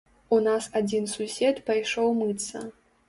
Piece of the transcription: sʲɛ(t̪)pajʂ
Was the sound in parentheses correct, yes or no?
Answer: yes